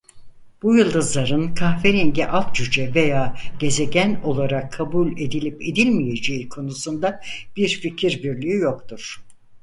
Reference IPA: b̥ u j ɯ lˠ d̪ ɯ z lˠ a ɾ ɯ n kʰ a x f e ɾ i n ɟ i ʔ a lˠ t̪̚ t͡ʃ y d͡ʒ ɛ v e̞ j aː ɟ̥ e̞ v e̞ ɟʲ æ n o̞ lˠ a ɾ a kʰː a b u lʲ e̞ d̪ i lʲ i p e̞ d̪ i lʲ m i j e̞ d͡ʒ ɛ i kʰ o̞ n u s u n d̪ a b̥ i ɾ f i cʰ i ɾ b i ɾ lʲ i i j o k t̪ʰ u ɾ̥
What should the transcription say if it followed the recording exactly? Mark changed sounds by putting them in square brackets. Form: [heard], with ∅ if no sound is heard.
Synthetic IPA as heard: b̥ u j ɯ lˠ d̪ ɯ z lˠ a ɾ ɯ n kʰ a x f e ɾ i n ɟ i ʔ a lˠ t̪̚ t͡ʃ y d͡ʒ ɛ v e̞ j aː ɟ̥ e̞ [z] e̞ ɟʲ æ n o̞ lˠ a ɾ a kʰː a b u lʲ e̞ d̪ i lʲ i p e̞ d̪ i lʲ m i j e̞ d͡ʒ [e] i kʰ o̞ n u s u n d̪ a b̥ i ɾ f i cʰ i ɾ b i ɾ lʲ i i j o k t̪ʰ u ɾ̥